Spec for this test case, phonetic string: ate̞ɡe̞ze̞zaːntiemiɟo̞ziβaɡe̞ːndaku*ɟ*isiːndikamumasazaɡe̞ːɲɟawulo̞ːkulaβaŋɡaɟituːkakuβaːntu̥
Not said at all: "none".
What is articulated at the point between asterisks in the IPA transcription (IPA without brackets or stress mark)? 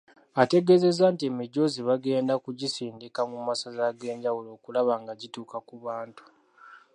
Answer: ɟ